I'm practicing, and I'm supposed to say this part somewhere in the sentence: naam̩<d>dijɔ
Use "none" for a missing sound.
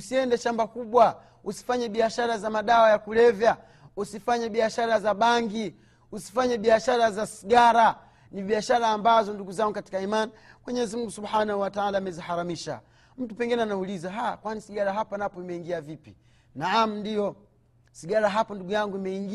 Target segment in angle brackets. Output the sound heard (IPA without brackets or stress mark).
n